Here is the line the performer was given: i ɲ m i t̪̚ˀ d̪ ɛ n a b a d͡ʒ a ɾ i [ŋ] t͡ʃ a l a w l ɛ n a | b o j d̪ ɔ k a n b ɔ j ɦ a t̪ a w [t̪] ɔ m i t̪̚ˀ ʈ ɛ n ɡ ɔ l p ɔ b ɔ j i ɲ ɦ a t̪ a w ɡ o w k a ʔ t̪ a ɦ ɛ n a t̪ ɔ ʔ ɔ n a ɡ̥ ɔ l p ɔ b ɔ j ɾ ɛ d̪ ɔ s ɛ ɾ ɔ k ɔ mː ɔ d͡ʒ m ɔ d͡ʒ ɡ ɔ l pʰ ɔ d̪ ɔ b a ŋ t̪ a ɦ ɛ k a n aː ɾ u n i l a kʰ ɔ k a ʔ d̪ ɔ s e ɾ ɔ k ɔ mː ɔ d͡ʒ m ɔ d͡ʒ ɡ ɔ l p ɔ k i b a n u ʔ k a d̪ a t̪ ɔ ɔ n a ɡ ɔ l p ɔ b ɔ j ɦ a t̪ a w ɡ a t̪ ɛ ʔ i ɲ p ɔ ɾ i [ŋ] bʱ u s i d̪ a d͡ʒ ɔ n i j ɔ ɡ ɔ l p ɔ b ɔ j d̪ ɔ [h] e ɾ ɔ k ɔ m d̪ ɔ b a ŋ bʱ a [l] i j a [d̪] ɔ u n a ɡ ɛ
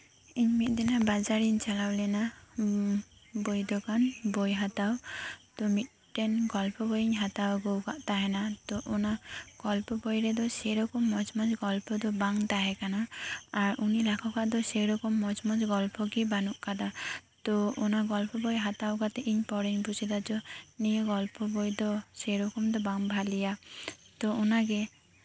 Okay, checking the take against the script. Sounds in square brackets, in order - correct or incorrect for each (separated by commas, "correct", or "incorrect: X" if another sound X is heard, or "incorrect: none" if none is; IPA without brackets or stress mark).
incorrect: ɲ, correct, incorrect: ɲ, incorrect: s, correct, incorrect: t̪